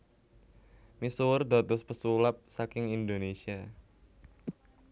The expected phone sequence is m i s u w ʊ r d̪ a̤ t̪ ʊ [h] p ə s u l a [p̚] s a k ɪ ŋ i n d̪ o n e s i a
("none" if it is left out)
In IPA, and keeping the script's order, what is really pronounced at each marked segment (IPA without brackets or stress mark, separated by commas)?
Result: s, p̚